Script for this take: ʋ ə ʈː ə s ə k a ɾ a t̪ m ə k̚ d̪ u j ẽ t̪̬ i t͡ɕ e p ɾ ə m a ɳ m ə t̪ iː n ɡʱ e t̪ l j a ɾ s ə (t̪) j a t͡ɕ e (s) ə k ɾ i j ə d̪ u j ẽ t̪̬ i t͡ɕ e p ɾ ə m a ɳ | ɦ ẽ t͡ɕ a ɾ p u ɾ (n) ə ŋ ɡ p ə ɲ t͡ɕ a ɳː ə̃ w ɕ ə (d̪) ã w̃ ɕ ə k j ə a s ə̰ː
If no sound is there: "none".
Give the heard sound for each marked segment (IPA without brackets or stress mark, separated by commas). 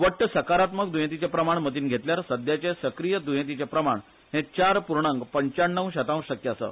d̪, s, ɳ, t̪